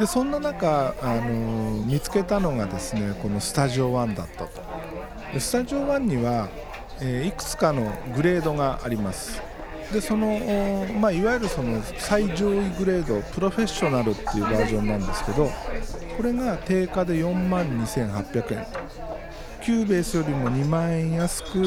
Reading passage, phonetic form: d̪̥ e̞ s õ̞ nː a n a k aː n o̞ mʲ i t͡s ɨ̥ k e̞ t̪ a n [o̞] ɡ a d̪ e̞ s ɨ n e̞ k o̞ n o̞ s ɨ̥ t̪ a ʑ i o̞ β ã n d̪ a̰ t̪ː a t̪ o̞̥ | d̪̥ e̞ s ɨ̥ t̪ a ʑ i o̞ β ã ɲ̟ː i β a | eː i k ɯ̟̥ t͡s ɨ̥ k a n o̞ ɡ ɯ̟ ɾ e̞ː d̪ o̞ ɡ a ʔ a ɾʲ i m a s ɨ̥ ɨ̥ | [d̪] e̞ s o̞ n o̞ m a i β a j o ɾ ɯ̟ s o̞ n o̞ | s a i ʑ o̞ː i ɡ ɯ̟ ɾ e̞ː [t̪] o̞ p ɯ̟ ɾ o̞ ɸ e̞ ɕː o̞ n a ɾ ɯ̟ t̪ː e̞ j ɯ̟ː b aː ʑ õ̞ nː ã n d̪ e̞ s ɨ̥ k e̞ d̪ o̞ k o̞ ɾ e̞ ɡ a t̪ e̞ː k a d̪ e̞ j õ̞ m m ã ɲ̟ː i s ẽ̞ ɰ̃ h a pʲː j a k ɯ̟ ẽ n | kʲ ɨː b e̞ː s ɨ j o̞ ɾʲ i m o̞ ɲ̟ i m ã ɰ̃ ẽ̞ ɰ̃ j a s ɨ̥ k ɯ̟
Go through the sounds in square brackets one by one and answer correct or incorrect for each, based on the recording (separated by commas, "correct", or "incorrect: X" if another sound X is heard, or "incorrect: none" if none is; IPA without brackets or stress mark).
correct, correct, incorrect: d̪